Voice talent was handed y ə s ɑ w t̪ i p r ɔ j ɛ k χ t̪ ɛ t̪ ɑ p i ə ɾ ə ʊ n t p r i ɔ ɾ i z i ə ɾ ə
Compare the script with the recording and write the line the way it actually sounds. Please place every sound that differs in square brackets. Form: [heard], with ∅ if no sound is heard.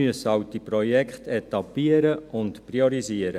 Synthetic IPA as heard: y ə s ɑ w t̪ i p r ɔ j ɛ k χ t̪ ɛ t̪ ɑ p i ə ɾ ə ʊ n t p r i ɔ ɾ i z i ə ɾ ə